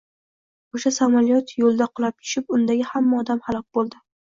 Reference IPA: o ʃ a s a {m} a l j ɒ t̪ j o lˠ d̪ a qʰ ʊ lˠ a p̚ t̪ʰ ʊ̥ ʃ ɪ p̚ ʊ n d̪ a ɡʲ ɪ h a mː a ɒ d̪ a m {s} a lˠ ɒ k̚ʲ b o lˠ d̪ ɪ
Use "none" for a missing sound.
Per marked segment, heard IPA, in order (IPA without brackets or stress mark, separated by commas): m, h